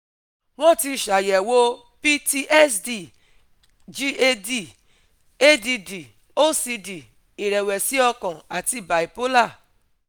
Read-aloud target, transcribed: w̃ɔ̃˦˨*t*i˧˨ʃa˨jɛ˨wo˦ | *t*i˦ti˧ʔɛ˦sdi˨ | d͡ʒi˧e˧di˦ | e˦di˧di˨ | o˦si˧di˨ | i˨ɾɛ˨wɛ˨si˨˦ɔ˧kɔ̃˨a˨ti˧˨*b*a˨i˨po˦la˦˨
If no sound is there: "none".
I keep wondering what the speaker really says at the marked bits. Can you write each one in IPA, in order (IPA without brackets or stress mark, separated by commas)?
t, p, b